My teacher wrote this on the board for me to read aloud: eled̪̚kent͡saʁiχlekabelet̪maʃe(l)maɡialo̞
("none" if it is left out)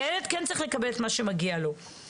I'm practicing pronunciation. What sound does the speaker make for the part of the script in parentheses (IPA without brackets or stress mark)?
none